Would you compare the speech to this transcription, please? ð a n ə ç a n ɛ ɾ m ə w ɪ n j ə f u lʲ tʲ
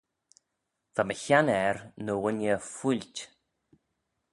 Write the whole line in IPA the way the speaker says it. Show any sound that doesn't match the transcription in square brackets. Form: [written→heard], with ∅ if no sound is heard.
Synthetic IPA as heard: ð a [n→m] ə ç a n ɛ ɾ [m→n] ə w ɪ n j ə f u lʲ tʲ

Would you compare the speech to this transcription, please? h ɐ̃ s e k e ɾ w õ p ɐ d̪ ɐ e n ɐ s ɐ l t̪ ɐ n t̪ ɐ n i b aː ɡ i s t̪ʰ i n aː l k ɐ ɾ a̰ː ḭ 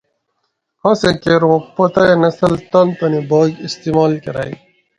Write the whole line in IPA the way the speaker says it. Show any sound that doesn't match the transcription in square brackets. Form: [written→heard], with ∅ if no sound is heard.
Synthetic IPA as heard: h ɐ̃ s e k e ɾ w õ p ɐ [d̪→t̪] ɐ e n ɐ s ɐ l t̪ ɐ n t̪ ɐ n i b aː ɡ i s [t̪ʰ→t̪] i [n→m] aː l k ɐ ɾ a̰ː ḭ

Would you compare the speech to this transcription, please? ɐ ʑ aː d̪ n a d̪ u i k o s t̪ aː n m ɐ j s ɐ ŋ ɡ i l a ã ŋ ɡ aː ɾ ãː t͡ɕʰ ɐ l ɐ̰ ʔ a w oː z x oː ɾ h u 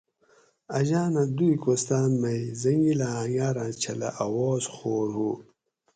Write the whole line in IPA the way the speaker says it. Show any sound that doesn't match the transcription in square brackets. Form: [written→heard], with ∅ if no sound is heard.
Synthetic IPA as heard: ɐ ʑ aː [d̪→∅] n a d̪ u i k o s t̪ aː n m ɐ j [s→z] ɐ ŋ ɡ i l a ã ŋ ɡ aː ɾ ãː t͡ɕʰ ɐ l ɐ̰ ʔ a w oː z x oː ɾ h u

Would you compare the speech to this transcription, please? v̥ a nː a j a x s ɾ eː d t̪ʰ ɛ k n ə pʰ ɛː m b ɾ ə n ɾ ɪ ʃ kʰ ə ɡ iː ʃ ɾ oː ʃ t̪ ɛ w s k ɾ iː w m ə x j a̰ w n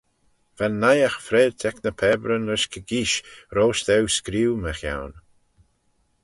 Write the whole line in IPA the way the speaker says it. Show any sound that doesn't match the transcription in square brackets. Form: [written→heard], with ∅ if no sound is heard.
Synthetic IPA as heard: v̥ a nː a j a x [s→f] ɾ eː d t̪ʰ ɛ k n ə pʰ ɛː [m→∅] b ɾ ə n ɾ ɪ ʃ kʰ ə ɡ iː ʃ ɾ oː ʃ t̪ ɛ w s k ɾ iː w m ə x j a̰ w n

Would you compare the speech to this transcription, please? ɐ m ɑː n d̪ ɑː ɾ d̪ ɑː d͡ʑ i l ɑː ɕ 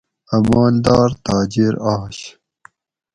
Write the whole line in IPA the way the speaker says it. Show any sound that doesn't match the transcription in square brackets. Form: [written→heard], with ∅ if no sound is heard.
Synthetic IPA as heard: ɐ m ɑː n d̪ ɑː ɾ [d̪→t̪] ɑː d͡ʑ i [l→ɾ] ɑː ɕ

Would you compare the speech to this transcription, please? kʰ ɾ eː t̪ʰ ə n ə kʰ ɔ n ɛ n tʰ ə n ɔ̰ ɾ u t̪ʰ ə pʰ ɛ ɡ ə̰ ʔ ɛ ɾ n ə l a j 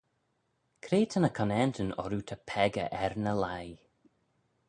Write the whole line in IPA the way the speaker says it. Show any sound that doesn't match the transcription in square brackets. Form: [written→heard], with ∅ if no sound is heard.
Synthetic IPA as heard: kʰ ɾ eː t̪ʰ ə n ə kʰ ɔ n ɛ n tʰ ə n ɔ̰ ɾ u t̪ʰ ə pʰ ɛ ɡ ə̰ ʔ ɛ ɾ n ə l a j

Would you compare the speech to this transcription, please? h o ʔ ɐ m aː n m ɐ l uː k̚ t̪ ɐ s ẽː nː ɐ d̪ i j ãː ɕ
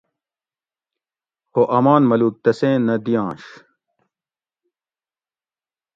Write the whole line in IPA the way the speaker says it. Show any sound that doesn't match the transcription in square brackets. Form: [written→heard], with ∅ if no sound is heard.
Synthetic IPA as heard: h o ʔ ɐ m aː n m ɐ l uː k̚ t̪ ɐ s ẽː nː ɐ d̪ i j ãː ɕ

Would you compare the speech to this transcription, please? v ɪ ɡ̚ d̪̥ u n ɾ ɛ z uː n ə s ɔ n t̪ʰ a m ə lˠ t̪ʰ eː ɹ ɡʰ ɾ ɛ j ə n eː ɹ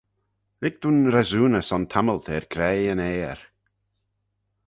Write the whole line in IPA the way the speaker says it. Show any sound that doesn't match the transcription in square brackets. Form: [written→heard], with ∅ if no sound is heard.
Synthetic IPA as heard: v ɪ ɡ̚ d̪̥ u n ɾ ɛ z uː n ə s ɔ n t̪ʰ a m ə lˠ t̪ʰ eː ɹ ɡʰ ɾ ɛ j ə n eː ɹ

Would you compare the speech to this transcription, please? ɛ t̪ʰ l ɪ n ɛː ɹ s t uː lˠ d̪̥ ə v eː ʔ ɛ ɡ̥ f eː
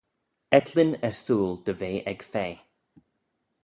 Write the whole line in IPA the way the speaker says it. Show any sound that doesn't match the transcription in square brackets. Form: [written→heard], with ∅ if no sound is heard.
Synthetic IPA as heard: ɛ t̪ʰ l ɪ n [ɛː→ɛ] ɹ s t uː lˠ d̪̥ ə v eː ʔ ɛ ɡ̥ f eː

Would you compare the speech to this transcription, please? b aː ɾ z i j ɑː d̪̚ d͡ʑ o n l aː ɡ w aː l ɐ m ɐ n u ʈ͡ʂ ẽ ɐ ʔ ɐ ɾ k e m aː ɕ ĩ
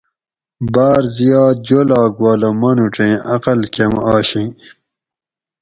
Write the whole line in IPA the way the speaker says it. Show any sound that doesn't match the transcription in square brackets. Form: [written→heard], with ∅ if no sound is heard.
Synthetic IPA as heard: b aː ɾ z i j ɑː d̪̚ d͡ʑ o [n→∅] l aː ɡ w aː l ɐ m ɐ n u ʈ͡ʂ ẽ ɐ [ʔ→q] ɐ [ɾ→l] k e m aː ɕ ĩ

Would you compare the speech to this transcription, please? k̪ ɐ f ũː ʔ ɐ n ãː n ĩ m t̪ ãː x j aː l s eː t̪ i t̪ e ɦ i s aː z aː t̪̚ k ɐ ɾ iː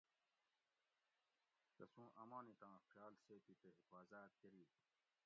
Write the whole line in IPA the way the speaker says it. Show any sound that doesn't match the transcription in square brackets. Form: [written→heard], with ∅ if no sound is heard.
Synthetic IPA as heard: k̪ ɐ [f→s] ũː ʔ ɐ [n→m] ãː n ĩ [m→∅] t̪ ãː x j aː l s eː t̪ i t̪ e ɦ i [s→f] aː z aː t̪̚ k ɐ ɾ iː

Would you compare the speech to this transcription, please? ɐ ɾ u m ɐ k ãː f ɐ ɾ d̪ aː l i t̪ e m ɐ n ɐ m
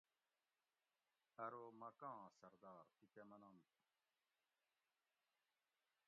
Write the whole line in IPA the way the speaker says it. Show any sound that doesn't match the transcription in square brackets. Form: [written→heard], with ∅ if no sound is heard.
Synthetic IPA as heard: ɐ ɾ [u→o] m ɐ k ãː [f→s] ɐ ɾ d̪ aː [l→ɾ] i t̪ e m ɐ n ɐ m

